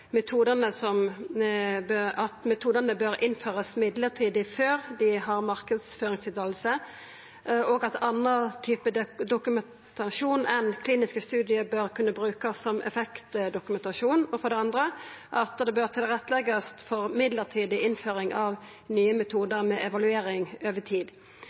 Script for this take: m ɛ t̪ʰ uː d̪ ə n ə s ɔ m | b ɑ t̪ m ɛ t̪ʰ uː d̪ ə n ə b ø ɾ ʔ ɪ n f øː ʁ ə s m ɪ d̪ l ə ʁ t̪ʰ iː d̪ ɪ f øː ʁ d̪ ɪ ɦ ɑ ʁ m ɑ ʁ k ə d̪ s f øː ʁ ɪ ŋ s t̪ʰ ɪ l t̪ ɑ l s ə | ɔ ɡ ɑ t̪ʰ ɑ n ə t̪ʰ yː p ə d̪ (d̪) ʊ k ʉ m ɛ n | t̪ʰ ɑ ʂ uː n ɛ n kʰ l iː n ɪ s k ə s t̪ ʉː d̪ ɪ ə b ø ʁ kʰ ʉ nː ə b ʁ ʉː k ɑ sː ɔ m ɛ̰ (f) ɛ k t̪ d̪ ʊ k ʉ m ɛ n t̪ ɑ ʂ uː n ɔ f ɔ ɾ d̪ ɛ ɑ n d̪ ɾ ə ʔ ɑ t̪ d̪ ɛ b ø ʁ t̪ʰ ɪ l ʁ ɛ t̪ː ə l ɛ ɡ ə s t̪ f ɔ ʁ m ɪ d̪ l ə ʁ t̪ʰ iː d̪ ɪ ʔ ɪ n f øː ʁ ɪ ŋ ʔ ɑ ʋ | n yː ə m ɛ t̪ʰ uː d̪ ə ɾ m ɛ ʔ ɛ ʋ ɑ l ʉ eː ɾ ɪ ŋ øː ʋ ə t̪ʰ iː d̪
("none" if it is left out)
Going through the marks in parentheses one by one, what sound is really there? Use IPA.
d̪, f

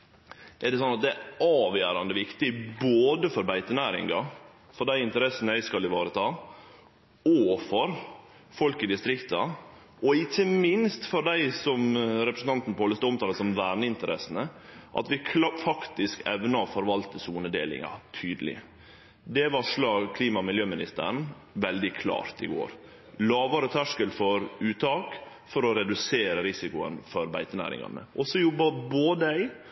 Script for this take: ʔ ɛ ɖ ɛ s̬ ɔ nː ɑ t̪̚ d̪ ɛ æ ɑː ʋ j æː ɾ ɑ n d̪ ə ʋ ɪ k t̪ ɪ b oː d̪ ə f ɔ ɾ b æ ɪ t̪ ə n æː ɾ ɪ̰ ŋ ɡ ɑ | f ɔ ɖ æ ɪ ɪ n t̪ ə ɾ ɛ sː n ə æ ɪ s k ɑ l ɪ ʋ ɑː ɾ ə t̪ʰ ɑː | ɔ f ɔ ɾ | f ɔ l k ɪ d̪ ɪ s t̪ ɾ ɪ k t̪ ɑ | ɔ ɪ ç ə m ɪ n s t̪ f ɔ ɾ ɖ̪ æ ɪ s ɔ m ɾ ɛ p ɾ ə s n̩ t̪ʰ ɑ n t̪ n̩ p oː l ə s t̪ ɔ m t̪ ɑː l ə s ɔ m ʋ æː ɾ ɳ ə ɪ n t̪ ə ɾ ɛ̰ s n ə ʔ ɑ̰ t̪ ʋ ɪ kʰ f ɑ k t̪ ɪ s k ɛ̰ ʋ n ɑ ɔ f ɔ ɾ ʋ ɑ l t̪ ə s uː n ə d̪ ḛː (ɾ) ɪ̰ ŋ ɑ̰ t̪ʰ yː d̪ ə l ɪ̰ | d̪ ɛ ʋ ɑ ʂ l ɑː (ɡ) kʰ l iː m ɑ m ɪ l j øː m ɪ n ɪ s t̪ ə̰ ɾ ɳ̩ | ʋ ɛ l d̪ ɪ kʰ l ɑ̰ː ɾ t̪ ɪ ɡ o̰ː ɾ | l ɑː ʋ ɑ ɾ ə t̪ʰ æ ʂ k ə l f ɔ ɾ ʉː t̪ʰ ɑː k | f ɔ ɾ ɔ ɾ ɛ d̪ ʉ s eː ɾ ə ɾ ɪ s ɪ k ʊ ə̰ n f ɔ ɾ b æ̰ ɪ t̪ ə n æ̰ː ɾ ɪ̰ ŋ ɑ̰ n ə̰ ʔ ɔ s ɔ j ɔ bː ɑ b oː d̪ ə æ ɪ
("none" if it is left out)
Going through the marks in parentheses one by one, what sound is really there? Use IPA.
l, ɡ

